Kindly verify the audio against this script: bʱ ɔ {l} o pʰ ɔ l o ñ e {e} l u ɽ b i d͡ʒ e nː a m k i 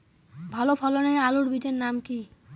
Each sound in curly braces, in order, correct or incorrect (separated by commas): correct, incorrect